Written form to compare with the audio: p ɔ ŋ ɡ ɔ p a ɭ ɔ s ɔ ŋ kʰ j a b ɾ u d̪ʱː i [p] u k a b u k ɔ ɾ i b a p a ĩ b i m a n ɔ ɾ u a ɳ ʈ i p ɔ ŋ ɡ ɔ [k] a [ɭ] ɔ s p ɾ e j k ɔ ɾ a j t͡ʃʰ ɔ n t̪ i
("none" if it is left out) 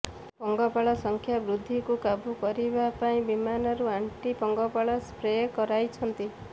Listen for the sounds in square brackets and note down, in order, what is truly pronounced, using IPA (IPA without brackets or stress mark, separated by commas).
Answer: k, p, ɭ